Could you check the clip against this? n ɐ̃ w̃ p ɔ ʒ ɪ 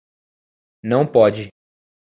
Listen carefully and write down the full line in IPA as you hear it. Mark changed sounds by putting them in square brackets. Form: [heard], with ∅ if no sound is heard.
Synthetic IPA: n ɐ̃ w̃ p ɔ [d͡ʒ] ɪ